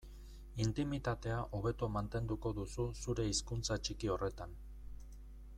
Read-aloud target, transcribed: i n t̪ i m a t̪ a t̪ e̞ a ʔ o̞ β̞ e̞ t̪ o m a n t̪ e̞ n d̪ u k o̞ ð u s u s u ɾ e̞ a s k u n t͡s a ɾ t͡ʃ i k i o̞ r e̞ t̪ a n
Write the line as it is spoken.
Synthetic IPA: i n t̪ i m i t̪ a t̪ e̞ a ʔ o̞ β̞ e̞ t̪ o m a n t̪ e̞ n d̪ u k o̞ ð u s u s u ɾ e̞ i s k u n t͡s a t͡ʃ i k i o̞ r e̞ t̪ a n